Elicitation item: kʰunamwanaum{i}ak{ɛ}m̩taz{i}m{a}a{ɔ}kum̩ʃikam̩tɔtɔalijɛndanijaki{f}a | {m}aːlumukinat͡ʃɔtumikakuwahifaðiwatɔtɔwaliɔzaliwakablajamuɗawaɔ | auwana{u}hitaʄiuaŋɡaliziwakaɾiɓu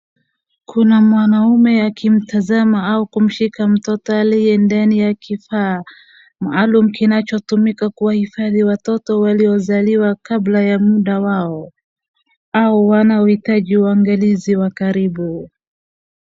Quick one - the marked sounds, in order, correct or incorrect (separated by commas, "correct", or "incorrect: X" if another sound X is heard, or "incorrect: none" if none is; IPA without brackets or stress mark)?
incorrect: ɛ, incorrect: i, incorrect: a, correct, incorrect: u, correct, correct, incorrect: ɔ